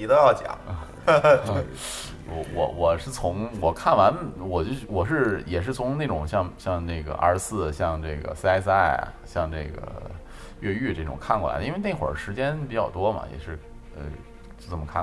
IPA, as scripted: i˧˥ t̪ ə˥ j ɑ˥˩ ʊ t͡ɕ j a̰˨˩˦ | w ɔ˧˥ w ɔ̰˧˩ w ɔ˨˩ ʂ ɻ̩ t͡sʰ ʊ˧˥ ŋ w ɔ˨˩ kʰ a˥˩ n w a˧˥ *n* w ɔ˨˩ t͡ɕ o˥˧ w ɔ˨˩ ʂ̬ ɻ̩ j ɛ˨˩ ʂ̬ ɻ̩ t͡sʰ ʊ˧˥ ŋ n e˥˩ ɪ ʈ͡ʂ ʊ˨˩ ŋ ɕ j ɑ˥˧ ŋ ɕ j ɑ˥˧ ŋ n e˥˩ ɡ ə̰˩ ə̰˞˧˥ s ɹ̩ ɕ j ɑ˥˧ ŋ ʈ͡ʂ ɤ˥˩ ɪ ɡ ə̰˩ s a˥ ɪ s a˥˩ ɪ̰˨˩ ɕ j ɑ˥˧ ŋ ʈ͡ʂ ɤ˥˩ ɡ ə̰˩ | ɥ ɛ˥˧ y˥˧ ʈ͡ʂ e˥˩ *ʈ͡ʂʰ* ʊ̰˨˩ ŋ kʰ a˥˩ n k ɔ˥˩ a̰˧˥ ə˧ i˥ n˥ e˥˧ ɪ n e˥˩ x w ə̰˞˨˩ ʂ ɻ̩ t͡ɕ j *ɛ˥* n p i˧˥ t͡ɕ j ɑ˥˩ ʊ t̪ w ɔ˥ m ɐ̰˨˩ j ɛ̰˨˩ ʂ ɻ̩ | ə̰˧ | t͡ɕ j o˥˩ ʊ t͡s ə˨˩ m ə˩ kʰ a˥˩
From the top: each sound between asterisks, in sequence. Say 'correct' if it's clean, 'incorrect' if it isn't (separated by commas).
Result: correct, incorrect, correct